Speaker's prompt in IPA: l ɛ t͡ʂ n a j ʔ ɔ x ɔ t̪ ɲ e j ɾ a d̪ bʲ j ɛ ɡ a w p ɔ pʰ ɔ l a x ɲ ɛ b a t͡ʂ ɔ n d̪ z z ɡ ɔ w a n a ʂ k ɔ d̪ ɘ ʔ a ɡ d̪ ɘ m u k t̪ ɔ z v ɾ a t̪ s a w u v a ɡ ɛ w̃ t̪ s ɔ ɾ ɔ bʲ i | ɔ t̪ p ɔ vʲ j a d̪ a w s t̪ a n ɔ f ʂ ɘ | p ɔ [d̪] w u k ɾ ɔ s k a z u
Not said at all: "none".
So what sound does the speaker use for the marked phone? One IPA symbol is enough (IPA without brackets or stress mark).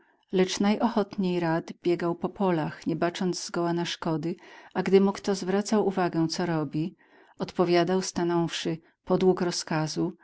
d̪